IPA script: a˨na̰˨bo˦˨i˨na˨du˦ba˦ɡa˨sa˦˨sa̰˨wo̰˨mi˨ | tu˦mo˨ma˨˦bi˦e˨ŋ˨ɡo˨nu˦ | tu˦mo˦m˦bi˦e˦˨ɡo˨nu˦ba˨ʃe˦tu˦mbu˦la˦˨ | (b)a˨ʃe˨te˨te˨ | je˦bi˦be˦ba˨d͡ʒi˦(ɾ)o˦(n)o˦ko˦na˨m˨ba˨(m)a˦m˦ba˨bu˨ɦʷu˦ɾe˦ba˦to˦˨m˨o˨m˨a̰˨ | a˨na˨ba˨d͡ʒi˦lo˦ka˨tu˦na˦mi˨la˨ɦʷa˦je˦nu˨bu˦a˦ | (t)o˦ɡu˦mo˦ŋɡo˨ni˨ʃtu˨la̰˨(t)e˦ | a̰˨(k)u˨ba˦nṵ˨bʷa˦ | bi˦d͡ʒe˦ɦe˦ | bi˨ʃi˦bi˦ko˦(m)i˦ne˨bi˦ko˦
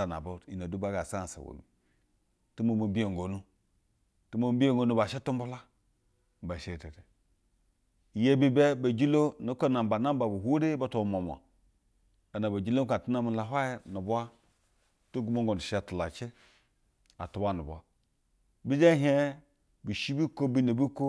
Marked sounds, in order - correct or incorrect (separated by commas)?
correct, incorrect, correct, incorrect, correct, incorrect, incorrect, incorrect